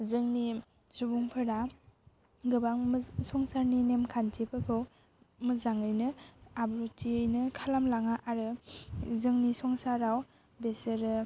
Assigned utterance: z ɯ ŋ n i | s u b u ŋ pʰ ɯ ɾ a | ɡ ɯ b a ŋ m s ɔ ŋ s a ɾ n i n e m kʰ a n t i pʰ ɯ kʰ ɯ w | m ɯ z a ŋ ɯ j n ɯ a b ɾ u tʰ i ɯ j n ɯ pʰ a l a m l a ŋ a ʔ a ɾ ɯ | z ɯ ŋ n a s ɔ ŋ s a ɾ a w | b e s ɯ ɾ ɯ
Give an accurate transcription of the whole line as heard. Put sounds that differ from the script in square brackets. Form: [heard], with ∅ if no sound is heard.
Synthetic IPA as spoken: z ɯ ŋ n i | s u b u ŋ pʰ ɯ ɾ a | ɡ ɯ b a ŋ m s ɔ ŋ s a ɾ n i n e m kʰ a n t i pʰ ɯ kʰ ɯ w | m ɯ z a ŋ ɯ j n ɯ a b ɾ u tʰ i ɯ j n ɯ [kʰ] a l a m l a ŋ a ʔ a ɾ ɯ | z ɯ ŋ n [i] s ɔ ŋ s a ɾ a w | b e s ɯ ɾ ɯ

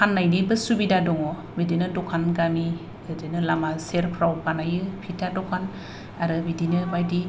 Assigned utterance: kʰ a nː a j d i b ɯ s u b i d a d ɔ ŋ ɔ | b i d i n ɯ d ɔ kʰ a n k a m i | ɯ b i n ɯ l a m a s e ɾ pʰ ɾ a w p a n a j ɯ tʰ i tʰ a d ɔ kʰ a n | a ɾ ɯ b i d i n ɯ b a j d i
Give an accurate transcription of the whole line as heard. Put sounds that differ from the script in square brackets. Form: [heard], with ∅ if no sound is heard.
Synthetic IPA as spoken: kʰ a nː a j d i b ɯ s u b i d a d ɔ ŋ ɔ | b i d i n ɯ d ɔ kʰ a n [ɡ] a m i | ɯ [d] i n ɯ l a m a s e ɾ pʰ ɾ a w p a n a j ɯ [pʰ] i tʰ a d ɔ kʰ a n | a ɾ ɯ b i d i n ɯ b a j d i

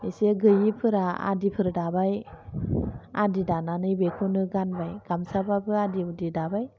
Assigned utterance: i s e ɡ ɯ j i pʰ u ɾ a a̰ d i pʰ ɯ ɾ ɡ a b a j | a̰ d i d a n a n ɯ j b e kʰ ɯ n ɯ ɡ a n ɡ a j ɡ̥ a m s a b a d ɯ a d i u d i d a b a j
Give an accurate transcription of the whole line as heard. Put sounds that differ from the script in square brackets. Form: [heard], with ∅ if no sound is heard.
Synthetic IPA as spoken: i s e ɡ ɯ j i pʰ [ɯ] ɾ a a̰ d i pʰ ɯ ɾ [d] a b a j | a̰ d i d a n a n ɯ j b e kʰ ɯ n ɯ ɡ a n [b] a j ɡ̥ a m s a b a [b] ɯ a d i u d i d a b a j

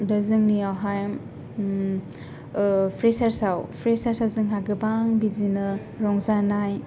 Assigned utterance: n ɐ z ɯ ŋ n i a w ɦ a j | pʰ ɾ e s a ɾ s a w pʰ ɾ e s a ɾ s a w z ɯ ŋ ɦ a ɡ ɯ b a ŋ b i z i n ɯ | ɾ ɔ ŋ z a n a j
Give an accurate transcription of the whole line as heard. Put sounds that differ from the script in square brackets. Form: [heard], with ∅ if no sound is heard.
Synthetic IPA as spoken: [d] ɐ z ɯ ŋ n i a w ɦ a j | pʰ ɾ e s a ɾ s a w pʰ ɾ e s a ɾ s a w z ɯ ŋ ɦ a ɡ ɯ b a ŋ b i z i n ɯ | ɾ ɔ ŋ z a n a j

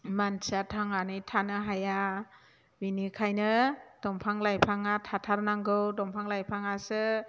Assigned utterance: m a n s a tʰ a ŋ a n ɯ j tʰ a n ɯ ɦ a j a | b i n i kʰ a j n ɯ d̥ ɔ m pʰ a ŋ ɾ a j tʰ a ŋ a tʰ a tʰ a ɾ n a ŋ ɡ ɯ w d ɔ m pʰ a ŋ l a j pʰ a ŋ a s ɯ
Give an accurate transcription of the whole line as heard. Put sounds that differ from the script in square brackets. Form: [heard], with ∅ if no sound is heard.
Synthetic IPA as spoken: m a n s a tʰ a ŋ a n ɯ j tʰ a n ɯ ɦ a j a | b i n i kʰ a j n ɯ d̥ ɔ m pʰ a ŋ [l] a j [pʰ] a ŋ a tʰ a tʰ a ɾ n a ŋ ɡ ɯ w d ɔ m pʰ a ŋ l a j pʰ a ŋ a s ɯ

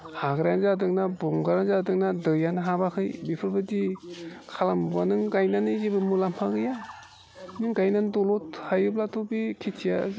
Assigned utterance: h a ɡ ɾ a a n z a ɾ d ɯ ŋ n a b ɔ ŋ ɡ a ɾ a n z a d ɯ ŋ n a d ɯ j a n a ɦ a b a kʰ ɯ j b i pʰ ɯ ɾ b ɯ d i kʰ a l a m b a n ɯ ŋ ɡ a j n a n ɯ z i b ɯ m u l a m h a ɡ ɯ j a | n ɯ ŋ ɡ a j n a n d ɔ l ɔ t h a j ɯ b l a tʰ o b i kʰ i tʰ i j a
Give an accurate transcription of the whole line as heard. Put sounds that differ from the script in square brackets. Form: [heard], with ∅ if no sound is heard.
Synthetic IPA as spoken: h a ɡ ɾ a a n z a [∅] d ɯ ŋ n a b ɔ ŋ ɡ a ɾ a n z a d ɯ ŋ n a d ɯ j a n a ɦ a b a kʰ ɯ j b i pʰ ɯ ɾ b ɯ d i kʰ a l a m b a n ɯ ŋ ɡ a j n a n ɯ z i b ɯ m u l a m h a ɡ ɯ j a | n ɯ ŋ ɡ a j n a n d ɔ l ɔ t h a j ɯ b l a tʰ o b i kʰ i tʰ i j a

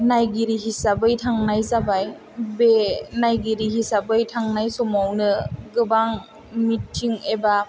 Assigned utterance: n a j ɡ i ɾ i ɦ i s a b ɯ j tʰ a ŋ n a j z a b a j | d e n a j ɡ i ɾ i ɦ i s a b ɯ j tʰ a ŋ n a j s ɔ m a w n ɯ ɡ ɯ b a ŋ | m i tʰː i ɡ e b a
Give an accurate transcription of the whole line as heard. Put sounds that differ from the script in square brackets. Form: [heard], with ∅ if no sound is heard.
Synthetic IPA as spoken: n a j ɡ i ɾ i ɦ i s a b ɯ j tʰ a ŋ n a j z a b a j | [b] e n a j ɡ i ɾ i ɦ i s a b ɯ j tʰ a ŋ n a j s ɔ m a w n ɯ ɡ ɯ b a ŋ | m i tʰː i [ŋ] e b a

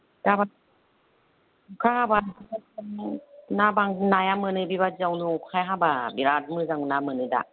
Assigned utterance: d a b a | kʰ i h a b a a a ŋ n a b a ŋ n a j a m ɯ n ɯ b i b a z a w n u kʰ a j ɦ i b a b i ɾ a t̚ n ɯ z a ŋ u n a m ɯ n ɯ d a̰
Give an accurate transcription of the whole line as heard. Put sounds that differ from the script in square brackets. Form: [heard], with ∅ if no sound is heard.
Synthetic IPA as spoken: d a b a | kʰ [a] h a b a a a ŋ n a b a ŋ n a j a m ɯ n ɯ b i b a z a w n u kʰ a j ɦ [a] b a b i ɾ a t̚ [m] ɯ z a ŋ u n a m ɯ n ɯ d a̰

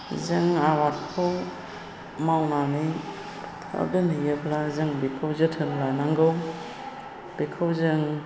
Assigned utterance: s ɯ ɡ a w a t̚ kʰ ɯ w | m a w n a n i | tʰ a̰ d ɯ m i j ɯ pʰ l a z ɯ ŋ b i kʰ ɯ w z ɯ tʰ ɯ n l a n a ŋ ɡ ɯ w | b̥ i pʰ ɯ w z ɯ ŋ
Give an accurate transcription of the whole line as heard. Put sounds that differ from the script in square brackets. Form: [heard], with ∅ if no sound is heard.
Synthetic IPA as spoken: [z] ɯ [ŋ] a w a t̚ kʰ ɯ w | m a w n a n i | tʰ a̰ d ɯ [n] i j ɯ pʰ l a z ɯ ŋ b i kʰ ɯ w z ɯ tʰ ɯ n l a n a ŋ ɡ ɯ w | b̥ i [kʰ] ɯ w z ɯ ŋ

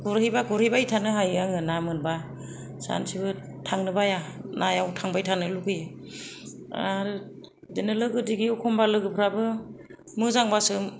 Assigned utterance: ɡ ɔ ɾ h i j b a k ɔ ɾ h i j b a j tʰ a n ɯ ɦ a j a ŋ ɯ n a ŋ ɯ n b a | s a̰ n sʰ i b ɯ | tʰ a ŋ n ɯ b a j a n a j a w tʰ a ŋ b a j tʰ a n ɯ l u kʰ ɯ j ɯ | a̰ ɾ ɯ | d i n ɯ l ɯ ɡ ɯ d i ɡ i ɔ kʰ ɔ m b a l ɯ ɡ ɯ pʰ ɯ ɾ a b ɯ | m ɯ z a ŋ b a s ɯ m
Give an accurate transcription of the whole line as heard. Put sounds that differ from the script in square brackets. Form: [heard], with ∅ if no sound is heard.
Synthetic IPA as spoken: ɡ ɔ ɾ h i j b a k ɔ ɾ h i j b a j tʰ a n ɯ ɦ a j a ŋ ɯ n a [m] ɯ n b a | s a̰ n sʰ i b ɯ | tʰ a ŋ n ɯ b a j a n a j a w tʰ a ŋ b a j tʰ a n ɯ l u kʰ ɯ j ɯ | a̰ ɾ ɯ | d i n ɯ l ɯ ɡ ɯ d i ɡ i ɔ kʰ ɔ m b a l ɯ ɡ ɯ pʰ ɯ ɾ a b ɯ | m ɯ z a ŋ b a s ɯ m

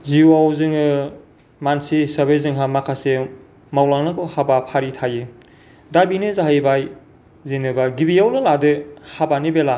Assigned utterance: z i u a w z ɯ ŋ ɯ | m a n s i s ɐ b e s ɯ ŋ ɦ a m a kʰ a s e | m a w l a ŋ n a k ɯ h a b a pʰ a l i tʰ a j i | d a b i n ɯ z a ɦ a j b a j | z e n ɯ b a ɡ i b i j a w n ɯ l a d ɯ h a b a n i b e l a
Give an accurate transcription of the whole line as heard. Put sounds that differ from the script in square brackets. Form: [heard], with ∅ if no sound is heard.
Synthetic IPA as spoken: z i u a w z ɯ ŋ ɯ | m a n s i s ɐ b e [z] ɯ ŋ ɦ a m a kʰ a s e | m a w l a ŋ n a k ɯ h a b a pʰ a [ɾ] i tʰ a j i | d a b i n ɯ z a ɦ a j b a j | z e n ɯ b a ɡ i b i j a w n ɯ l a d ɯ h a b a n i b e l a

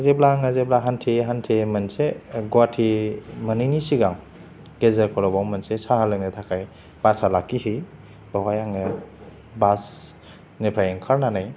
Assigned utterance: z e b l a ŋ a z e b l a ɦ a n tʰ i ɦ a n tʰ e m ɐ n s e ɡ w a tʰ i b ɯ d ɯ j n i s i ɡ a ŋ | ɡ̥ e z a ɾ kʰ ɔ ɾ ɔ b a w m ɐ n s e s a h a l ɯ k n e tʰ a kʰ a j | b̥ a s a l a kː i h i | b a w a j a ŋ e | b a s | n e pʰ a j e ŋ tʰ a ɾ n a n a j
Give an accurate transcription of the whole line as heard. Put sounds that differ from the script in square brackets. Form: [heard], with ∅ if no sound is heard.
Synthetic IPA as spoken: z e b l a ŋ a z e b l a ɦ a n tʰ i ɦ a n tʰ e m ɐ n s e ɡ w a tʰ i [m] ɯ [n] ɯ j n i s i ɡ a ŋ | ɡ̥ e z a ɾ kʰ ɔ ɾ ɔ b a w m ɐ n s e s a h a l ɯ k n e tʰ a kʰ a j | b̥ a s a l a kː i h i | b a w a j a ŋ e | b a s | n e pʰ a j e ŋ [kʰ] a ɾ n a n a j

